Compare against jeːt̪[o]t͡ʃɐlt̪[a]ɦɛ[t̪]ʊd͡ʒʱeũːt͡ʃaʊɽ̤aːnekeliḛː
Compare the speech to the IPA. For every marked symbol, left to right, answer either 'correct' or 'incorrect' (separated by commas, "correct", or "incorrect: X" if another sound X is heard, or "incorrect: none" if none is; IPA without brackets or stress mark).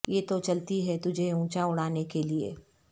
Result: correct, incorrect: i, correct